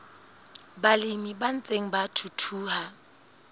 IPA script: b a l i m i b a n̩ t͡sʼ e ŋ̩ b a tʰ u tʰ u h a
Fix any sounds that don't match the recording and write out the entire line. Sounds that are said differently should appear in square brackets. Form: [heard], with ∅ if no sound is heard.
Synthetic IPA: b a l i m i b a n̩ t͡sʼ e ŋ̩ b a tʰ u tʰ [uː] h a